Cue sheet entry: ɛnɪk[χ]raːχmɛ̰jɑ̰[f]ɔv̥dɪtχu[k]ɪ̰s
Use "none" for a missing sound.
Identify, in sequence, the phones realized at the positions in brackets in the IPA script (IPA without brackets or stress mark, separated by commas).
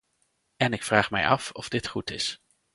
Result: f, f, t